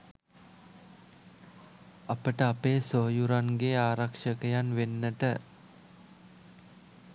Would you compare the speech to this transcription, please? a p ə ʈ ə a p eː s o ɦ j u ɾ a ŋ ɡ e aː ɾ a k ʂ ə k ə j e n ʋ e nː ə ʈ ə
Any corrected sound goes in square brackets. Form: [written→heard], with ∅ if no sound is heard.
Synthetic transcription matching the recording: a p ə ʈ ə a p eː s o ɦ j u ɾ a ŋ ɡ e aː ɾ a k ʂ ə k ə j [e→a] n ʋ e nː ə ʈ ə